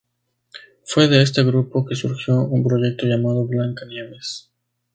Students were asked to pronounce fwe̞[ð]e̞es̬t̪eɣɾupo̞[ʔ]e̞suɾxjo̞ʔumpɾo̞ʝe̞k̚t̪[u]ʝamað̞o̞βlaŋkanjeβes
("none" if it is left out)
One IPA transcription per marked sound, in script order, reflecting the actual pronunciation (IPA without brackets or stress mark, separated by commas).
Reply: ð, k, o